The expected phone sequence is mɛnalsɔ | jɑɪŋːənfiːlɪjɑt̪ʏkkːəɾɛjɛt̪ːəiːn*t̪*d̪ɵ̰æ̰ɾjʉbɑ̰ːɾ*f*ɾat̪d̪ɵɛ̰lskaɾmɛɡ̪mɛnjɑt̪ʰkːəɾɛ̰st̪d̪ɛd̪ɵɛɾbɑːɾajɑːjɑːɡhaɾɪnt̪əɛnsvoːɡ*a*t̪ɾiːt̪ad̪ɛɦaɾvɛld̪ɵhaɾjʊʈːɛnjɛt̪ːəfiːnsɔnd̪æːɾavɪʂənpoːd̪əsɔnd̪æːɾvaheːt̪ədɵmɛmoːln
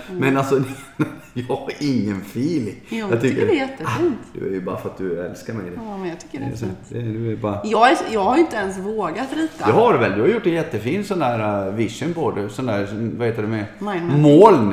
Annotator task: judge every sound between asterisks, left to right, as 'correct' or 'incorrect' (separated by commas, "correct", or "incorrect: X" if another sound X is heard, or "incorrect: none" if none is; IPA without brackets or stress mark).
correct, correct, correct